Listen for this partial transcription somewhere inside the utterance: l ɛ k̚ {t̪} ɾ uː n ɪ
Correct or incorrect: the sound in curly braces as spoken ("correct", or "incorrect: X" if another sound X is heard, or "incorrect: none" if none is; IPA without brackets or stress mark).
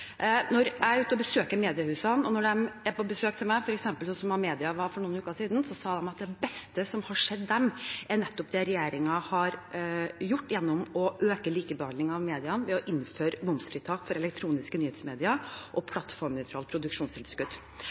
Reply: incorrect: t̪ʰ